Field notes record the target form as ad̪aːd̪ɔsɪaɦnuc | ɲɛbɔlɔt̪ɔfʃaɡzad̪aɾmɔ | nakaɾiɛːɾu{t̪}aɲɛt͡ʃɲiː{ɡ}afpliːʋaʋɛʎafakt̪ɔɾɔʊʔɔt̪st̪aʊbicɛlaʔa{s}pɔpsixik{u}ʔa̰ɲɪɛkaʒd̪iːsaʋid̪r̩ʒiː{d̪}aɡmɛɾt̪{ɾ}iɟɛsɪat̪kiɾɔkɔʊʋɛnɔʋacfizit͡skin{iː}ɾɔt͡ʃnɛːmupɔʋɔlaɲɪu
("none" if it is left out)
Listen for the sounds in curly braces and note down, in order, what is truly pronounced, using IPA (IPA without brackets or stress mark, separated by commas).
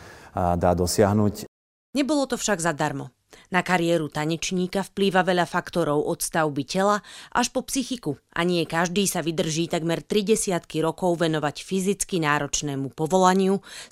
t̪, k, ʃ, u, t̪, ɾ, aː